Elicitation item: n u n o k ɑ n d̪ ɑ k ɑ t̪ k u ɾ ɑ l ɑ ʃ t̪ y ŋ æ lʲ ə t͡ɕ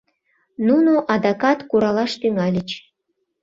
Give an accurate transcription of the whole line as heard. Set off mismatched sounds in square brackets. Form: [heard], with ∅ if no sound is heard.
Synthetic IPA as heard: n u n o [ʔ] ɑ [∅] d̪ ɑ k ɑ t̪ k u ɾ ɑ l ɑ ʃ t̪ y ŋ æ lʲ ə t͡ɕ